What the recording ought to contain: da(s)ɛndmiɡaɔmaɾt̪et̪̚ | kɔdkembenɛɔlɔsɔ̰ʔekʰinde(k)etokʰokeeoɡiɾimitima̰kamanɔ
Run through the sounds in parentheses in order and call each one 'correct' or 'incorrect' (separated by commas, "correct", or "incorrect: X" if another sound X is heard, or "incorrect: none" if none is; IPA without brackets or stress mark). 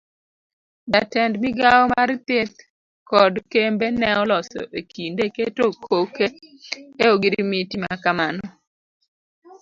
incorrect: t, correct